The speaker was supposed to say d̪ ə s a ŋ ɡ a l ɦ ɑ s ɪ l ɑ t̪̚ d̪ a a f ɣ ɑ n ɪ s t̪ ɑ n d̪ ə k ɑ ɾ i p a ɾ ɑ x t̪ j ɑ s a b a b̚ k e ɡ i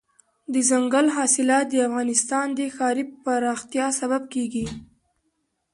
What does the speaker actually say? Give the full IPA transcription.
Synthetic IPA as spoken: d̪ ə z a ŋ ɡ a l ɦ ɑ s ɪ l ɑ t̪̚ d̪ ə a f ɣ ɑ n ɪ s t̪ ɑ n d̪ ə x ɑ ɾ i p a ɾ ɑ x t̪ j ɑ s a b a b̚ k e ɡ i